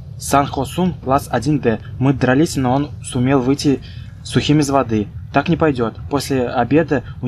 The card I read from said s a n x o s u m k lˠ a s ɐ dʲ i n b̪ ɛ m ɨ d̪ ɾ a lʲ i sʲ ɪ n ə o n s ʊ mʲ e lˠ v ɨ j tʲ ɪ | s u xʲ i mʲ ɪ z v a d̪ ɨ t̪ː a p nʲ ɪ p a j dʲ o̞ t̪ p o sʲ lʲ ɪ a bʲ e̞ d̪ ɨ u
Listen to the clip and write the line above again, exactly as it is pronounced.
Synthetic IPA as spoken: s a n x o s u m k lˠ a s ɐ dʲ i n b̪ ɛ m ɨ d̪ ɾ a lʲ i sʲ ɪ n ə o n s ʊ mʲ e lˠ v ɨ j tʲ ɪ | s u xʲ i mʲ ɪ z v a d̪ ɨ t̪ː a k nʲ ɪ p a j dʲ o̞ t̪ p o sʲ lʲ ɪ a bʲ e̞ d̪ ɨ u